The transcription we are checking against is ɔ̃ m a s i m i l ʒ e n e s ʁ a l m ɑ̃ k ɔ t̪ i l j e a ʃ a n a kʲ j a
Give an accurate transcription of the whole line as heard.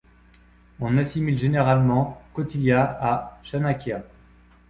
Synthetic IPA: ɔ̃ n a s i m i l ʒ e n e ʁ a l m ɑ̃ k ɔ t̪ i l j a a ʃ a n a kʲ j a

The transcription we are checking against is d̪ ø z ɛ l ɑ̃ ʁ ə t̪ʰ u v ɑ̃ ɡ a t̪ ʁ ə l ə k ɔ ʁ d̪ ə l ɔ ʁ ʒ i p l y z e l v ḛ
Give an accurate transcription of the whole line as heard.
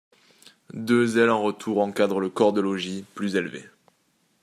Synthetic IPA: d̪ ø z ɛ l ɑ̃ ʁ ə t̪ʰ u ʁ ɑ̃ k a d̪ ʁ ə l ə k ɔ ʁ d̪ ə l ɔ ʒ i p l y z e l v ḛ

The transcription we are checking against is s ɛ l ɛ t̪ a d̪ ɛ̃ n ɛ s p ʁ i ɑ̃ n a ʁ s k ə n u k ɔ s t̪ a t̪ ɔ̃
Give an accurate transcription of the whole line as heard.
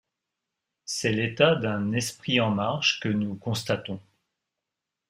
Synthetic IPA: s ɛ l e t̪ a d̪ ɛ̃ n ɛ s p χ i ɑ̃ m a ʁ ʃ k ə n u k ɔ̃ s t̪ a t̪ ɔ̃

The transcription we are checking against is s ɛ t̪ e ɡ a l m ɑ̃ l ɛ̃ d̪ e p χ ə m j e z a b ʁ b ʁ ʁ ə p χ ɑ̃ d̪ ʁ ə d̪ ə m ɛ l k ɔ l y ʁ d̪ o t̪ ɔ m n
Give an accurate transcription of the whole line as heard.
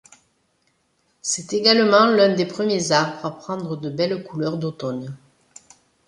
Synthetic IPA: s ɛ t̪ e ɡ a l m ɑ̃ l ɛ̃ d̪ e p χ ə m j e z a ʁ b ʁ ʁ a p χ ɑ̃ d̪ ʁ ə d̪ ə b ɛ l k u l œ ʁ d̪ o t̪ ɔ n

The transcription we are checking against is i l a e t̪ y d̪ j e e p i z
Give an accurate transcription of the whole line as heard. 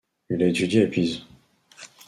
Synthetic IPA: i l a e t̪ y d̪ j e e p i z

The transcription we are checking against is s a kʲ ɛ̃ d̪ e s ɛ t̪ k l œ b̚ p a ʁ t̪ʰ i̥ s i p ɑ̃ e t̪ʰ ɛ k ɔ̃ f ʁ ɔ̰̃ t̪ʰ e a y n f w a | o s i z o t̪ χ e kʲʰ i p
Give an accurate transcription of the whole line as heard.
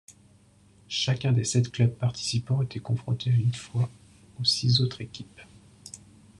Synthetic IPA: ʃ a kʲ ɛ̃ d̪ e s ɛ t̪ k l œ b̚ p a ʁ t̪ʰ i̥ s i p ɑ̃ e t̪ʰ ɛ k ɔ̃ f χ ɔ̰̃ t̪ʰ e a y n f w a | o s i z o t̪ χ e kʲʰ i p

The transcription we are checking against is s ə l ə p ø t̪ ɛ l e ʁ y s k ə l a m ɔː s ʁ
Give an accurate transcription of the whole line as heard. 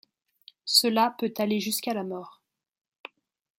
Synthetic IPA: s ə l a p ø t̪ a l e ʒ y s k a l a m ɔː ʁ

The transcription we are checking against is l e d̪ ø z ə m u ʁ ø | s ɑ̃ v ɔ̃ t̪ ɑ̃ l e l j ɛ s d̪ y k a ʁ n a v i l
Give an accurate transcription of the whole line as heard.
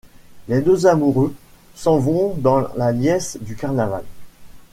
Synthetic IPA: l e d̪ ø z a m u ʁ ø | s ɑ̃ v ɔ̃ d̪ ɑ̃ l a l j ɛ s d̪ y k a ʁ n a v a l

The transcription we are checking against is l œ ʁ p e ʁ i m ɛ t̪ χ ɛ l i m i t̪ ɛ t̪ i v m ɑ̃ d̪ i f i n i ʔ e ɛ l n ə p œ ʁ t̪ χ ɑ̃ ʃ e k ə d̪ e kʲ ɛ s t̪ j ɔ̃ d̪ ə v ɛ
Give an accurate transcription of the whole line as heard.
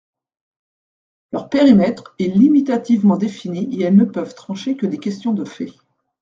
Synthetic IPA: l œ ʁ p e ʁ i m ɛ t̪ χ ɛ l i m i t̪ a t̪ i v m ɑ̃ d̪ e f i n i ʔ e ɛ l n ə p œ v t̪ χ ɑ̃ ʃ e k ə d̪ e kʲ ɛ s t̪ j ɔ̃ d̪ ə f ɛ

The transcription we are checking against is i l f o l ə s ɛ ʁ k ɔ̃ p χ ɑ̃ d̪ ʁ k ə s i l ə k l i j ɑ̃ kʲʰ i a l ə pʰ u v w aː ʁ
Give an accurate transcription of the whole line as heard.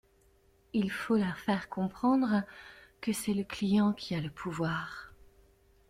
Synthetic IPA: i l f o l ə f ɛ ʁ k ɔ̃ p χ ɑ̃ d̪ ʁ k ə s ɛ l ə k l i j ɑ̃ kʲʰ i a l ə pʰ u v w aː ʁ

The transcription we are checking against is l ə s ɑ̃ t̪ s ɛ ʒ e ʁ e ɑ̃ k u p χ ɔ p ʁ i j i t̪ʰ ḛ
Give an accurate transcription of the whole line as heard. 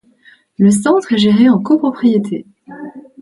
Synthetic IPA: l ə s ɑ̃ t̪ χ ɛ ʒ e ʁ e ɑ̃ k o p χ ɔ p χ i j e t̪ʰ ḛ

